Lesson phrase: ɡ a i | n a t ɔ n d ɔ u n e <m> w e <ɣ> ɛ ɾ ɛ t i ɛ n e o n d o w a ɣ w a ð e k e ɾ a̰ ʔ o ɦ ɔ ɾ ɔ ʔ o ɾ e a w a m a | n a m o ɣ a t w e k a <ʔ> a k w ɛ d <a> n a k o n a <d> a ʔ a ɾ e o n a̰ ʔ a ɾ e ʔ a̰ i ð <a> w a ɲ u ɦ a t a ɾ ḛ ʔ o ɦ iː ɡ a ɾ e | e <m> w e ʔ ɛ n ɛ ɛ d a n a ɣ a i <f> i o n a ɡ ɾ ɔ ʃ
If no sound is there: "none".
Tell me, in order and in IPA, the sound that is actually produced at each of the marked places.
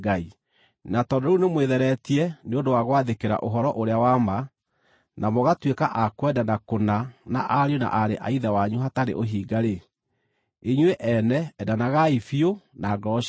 m, ð, ʔ, a, n, a, ɲ, f

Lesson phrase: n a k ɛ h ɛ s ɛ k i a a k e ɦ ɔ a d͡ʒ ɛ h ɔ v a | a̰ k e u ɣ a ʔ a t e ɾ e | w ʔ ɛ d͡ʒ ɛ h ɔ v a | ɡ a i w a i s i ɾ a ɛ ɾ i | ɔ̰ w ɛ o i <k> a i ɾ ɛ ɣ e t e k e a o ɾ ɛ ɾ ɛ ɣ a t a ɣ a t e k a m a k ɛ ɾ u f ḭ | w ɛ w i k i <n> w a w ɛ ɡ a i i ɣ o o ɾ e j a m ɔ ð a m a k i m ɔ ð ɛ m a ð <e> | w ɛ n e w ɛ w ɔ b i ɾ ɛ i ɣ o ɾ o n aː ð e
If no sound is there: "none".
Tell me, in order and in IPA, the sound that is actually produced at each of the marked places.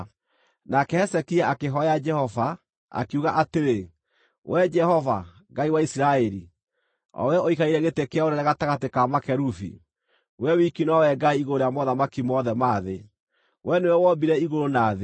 k, n, e

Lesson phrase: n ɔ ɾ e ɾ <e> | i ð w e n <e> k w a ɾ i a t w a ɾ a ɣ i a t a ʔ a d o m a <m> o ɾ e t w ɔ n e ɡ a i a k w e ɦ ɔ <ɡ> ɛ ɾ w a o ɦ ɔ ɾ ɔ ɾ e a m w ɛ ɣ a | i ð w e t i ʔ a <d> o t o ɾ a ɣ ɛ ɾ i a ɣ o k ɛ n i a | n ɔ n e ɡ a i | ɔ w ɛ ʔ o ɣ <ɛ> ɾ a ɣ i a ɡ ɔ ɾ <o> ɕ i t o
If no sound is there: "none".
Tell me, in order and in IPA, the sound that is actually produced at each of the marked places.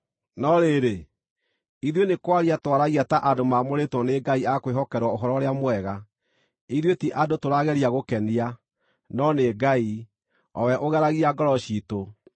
e, e, m, k, d, ɛ, ɔ

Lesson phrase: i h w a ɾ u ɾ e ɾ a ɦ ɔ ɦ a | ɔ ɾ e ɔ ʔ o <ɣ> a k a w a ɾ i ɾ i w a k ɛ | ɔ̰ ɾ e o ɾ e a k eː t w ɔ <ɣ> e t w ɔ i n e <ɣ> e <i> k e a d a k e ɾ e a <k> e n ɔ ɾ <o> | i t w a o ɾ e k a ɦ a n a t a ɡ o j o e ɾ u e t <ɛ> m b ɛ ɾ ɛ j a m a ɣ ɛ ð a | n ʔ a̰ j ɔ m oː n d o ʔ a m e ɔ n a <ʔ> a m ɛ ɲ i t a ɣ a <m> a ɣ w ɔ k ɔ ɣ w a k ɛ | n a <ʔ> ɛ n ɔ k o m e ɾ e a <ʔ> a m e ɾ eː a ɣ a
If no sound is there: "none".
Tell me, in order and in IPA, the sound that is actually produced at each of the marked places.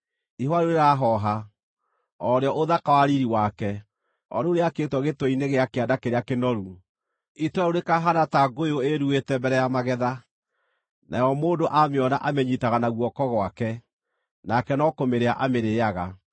ð, ɣ, ɣ, a, k, u, ɛ, ʔ, n, k, ʔ

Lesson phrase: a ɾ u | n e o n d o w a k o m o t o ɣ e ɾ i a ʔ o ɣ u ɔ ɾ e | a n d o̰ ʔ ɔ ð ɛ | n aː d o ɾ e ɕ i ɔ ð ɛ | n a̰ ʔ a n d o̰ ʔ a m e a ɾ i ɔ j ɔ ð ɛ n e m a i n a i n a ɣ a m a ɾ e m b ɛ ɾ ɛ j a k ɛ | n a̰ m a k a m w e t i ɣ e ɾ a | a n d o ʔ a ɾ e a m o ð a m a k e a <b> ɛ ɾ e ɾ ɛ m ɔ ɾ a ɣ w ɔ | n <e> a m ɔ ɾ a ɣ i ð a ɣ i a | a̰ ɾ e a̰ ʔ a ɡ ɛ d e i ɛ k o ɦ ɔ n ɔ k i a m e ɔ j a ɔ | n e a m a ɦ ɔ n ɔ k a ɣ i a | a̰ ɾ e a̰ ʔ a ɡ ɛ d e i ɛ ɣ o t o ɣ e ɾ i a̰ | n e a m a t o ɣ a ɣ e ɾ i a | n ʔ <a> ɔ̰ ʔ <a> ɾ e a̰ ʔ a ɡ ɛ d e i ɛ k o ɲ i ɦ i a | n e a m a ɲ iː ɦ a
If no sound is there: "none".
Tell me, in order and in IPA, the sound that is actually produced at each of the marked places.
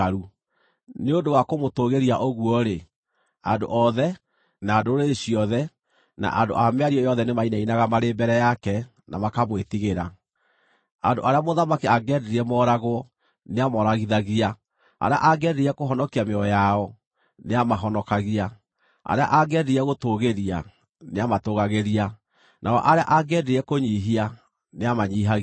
ɡ, e, a, a

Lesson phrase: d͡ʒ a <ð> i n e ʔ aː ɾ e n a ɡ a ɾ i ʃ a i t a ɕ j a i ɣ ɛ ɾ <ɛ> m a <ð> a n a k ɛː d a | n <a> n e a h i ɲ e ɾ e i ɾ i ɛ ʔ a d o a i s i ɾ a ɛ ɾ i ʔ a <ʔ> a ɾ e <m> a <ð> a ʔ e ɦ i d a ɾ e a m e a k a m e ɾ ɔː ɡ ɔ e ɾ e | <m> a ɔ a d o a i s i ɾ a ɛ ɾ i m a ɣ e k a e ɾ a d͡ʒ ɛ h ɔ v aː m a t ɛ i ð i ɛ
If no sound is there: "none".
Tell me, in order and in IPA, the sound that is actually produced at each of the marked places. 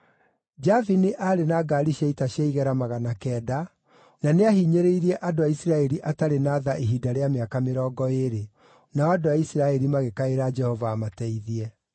v, a, ɣ, a, t, n, ð, n

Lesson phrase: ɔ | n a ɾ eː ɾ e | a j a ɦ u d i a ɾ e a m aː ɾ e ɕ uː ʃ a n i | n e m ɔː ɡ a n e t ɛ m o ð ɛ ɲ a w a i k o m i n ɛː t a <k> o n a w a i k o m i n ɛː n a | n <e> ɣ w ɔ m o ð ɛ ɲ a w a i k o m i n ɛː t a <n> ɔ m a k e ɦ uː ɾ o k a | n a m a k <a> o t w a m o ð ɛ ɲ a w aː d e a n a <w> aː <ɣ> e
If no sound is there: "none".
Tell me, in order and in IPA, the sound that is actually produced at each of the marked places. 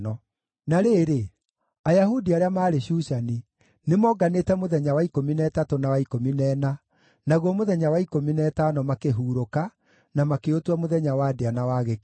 t, a, n, e, w, ɣ

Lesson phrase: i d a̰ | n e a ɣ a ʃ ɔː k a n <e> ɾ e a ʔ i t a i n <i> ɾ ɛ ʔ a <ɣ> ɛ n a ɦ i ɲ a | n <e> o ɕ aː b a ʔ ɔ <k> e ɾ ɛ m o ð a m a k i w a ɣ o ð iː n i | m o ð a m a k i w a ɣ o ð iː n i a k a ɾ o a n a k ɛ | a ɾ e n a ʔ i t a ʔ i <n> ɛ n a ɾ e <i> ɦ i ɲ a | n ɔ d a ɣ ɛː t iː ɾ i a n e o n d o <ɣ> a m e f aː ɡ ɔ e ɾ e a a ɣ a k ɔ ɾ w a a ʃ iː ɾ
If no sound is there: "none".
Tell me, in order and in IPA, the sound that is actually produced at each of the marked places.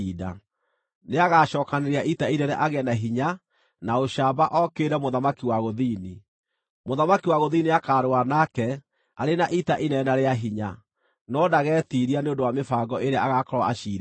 e, ɛ, ɣ, a, k, n, a, w

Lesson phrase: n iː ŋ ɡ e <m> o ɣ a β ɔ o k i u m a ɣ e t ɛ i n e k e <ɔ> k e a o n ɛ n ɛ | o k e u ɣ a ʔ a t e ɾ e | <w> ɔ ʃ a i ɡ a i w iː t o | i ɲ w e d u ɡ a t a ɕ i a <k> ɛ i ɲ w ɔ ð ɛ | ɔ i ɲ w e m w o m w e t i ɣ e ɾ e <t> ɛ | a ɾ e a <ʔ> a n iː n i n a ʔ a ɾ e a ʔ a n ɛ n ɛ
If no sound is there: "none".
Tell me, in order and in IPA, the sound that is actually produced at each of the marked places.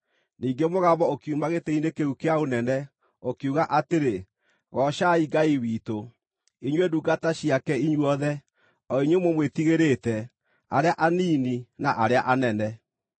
m, u, ɣ, k, t, ʔ

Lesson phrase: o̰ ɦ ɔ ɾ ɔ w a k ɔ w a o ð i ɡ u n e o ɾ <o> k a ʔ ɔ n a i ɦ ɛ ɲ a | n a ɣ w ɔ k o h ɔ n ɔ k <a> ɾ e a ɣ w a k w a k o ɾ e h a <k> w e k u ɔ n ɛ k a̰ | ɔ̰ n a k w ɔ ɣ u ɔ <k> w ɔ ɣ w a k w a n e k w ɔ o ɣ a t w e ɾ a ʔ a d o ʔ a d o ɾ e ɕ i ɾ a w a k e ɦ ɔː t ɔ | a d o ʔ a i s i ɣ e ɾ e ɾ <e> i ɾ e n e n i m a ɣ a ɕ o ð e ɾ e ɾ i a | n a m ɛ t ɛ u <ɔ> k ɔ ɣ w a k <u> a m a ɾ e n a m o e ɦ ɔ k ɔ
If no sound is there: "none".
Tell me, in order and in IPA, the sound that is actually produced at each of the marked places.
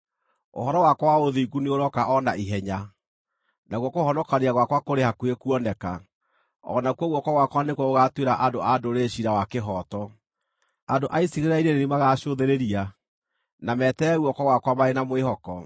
ɔ, a, k, k, a, ɔ, w

